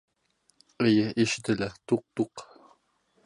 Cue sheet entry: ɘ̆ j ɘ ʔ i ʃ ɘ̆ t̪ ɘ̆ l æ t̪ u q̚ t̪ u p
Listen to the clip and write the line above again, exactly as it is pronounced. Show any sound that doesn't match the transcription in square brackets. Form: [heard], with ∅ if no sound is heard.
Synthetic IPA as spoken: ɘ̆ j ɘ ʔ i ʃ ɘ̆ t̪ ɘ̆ l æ t̪ u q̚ t̪ u [q]